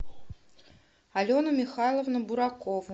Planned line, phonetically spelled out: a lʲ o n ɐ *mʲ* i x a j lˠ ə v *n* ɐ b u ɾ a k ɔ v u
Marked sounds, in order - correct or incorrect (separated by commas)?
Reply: correct, correct